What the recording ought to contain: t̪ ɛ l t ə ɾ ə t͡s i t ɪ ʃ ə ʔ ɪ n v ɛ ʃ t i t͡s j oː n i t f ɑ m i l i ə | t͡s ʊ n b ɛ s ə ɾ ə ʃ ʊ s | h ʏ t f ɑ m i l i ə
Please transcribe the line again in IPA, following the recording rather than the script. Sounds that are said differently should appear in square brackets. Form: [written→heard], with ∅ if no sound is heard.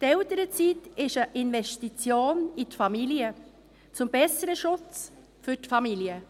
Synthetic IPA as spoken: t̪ ɛ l t ə ɾ ə t͡s i t ɪ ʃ ə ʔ ɪ n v ɛ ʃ t i t͡s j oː n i t f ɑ m i l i ə | t͡s ʊ [n→m] b ɛ s ə ɾ ə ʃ ʊ [s→t͡s] | [h→f] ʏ t f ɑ m i l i ə